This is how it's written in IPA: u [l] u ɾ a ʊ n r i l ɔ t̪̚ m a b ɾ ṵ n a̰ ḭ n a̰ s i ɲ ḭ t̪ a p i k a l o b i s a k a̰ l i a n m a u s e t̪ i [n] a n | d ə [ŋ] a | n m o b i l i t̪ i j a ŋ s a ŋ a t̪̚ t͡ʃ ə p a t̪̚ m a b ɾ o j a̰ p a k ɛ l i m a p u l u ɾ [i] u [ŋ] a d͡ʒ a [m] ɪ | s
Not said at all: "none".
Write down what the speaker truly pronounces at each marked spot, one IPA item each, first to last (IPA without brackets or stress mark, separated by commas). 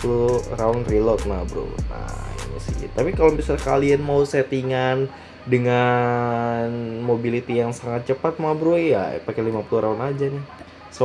l, ŋ, ŋ, a, n, n